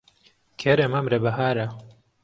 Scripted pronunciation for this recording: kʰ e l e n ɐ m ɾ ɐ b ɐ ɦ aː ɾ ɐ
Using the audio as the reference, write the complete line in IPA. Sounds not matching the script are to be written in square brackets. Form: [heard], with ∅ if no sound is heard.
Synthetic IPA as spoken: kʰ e [ɾ] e [m] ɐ m ɾ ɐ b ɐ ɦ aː ɾ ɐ